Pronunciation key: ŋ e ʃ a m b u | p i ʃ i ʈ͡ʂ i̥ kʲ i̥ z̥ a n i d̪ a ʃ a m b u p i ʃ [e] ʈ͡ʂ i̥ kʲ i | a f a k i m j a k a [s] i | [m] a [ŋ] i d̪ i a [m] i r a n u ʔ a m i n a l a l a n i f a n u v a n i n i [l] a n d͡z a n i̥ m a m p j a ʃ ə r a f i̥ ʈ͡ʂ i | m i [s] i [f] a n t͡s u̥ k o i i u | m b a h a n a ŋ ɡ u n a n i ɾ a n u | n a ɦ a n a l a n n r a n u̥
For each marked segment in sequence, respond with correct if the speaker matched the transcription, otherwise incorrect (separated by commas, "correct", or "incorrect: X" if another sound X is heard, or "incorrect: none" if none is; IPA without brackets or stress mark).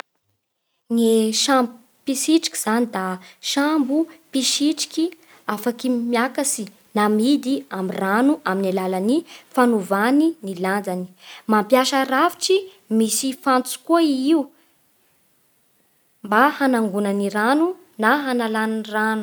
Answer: incorrect: i, correct, incorrect: n, incorrect: m, correct, correct, correct, correct